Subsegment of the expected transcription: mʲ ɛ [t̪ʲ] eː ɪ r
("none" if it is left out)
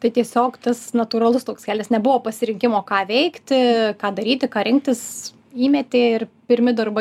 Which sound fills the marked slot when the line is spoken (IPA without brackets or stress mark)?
t̪ʲ